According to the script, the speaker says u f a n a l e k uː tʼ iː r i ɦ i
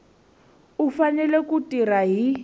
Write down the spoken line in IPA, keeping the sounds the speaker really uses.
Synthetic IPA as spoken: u f a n ɛ l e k u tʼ i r a ɦ i